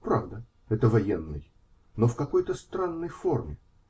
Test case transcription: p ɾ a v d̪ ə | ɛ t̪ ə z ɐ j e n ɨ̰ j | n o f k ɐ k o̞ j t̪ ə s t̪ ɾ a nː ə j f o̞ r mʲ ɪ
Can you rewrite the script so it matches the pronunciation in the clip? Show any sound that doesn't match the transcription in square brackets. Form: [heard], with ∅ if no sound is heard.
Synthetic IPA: p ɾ a v d̪ ə | ɛ t̪ ə [v] ɐ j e [nː] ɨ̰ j | n o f k ɐ k o̞ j t̪ ə s t̪ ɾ a nː ə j f o̞ r mʲ ɪ